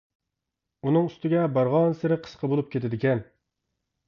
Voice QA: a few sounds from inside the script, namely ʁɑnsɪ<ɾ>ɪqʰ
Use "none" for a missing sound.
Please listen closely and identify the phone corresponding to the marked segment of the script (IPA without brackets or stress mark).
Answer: ɾ